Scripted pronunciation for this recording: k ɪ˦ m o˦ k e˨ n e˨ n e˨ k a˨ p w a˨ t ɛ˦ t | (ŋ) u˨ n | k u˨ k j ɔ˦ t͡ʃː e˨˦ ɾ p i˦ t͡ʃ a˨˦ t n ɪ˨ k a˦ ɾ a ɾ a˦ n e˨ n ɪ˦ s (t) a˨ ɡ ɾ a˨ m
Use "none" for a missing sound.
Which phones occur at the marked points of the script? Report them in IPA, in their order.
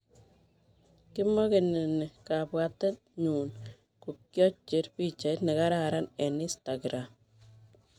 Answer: ɲ, t

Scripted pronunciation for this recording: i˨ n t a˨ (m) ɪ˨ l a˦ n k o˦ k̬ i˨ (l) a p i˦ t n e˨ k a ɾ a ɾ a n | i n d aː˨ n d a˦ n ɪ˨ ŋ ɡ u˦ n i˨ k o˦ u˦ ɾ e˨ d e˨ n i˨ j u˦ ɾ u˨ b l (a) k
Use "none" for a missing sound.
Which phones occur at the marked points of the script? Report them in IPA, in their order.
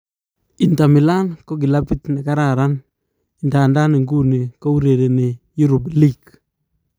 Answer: m, l, i

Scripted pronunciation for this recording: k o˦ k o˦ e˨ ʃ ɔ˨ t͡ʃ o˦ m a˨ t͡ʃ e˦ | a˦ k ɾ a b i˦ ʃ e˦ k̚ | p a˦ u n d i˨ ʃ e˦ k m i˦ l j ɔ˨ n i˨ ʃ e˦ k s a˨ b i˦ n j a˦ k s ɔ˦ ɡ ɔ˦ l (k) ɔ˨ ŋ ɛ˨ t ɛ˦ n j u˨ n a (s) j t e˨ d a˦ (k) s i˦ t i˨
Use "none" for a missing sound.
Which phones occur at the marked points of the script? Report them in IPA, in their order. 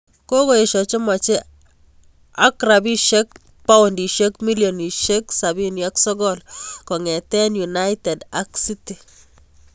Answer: k, none, k

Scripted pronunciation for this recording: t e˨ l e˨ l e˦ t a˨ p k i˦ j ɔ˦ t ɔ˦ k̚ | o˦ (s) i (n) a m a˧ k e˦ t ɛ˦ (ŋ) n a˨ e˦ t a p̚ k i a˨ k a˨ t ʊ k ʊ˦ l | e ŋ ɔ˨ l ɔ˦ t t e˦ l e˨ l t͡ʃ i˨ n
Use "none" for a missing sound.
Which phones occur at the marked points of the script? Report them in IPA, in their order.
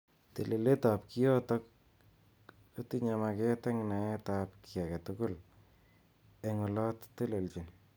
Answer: t, ɲ, ŋ

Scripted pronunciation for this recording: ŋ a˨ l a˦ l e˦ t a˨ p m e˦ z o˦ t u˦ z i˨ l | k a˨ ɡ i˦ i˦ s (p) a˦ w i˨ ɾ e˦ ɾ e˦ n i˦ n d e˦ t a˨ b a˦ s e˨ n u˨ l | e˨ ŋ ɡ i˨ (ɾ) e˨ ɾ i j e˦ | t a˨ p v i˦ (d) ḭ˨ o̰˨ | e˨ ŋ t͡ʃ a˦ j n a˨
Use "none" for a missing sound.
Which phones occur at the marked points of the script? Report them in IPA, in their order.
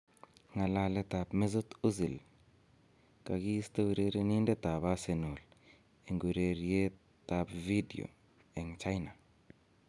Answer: t, ɾ, d

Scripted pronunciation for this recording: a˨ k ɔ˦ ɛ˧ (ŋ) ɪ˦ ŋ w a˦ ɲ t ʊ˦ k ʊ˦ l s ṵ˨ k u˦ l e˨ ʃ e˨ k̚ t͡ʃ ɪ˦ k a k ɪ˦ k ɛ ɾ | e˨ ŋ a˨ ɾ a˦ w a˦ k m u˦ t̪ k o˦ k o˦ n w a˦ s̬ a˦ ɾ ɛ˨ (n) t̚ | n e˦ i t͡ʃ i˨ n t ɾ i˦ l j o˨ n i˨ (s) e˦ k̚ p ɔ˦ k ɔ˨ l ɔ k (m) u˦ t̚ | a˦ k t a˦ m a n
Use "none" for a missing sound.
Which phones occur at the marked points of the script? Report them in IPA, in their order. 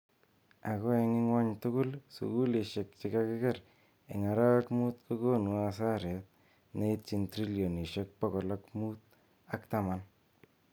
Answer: ŋ, none, ʃ, m

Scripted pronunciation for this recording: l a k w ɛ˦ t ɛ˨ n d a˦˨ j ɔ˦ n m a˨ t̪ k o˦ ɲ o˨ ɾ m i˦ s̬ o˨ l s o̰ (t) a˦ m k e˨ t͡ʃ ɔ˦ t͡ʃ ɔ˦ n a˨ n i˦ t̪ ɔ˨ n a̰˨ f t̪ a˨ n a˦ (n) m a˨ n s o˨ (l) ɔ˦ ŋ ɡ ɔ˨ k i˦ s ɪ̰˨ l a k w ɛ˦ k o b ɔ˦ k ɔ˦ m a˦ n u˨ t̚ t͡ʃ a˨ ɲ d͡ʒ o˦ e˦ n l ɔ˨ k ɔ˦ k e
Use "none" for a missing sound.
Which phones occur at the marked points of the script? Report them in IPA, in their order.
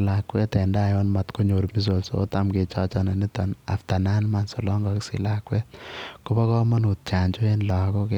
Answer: t, n, l

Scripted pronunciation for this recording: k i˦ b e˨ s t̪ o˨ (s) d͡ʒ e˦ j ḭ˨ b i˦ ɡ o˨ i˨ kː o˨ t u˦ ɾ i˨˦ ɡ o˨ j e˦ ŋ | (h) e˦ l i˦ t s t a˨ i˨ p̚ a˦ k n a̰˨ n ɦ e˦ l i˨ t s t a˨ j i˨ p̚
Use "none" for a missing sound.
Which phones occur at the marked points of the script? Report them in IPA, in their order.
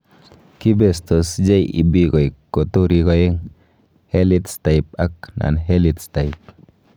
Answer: s, h

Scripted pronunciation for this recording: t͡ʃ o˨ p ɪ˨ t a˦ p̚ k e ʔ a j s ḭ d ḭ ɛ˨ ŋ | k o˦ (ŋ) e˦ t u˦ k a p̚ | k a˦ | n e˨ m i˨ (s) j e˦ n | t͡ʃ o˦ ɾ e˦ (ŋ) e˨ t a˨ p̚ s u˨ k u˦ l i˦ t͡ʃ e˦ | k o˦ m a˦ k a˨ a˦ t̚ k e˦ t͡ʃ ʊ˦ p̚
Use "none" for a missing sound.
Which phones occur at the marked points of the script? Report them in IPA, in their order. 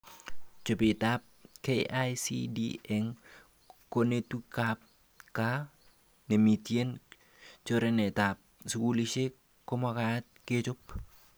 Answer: n, t, n

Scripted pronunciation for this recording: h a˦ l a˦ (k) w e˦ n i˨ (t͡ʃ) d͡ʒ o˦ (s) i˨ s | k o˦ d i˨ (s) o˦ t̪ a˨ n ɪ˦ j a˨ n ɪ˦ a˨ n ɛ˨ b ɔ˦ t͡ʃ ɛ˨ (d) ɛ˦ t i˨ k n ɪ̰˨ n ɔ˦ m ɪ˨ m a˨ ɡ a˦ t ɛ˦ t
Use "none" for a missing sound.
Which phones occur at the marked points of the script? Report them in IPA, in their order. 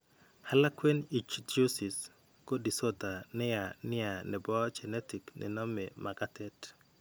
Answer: k, t͡ʃ, s, s, n

